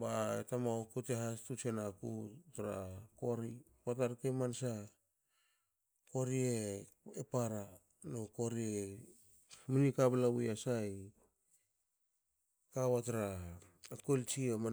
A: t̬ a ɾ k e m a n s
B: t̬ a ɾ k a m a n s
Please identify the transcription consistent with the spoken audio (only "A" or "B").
A